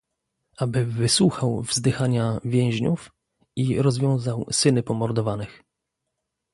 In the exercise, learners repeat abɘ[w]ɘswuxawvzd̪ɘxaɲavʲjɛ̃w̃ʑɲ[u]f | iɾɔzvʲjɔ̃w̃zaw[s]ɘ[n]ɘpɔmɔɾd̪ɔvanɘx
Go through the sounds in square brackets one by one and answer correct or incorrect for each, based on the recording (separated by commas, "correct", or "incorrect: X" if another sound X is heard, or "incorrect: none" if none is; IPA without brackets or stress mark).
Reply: incorrect: v, correct, correct, correct